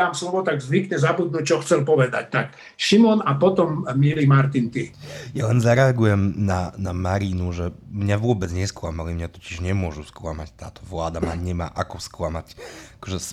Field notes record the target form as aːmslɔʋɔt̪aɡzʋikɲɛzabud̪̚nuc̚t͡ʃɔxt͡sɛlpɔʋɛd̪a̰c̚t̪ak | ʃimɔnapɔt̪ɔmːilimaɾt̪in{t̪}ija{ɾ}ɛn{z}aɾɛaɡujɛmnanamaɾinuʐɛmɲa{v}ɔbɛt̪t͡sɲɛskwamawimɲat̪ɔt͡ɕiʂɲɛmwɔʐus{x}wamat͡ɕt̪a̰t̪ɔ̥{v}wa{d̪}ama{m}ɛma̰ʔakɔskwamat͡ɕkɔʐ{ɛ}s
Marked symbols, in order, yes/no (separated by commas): yes, no, yes, yes, no, yes, yes, no, yes